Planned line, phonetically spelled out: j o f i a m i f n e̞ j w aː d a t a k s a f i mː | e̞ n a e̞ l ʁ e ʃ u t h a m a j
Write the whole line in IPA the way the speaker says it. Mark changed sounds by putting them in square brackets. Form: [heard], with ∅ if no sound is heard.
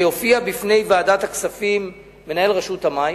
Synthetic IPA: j o f i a [b] i f n e̞ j [v] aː d a t a k s a f i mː | e̞ n a e̞ l ʁ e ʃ u t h a m a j